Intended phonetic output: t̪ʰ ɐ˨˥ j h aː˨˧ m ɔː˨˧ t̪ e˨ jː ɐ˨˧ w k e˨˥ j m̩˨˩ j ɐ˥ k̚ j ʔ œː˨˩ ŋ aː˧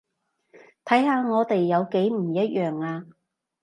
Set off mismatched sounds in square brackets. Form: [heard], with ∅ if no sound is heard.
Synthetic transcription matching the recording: t̪ʰ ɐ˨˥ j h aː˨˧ [ŋ] ɔː˨˧ t̪ e˨ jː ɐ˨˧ w k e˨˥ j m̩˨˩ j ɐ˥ [t̚] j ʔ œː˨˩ ŋ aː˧